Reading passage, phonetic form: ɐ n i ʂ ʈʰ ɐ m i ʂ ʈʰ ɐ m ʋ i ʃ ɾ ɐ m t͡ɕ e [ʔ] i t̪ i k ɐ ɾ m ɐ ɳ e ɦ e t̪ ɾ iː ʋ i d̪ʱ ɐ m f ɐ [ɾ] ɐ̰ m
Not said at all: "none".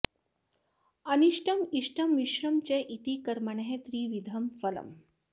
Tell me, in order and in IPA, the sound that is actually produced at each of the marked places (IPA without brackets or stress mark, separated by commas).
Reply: ʔ, l